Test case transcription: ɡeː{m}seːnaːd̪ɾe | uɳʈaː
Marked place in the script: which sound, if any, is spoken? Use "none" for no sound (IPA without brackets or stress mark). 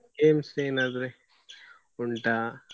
m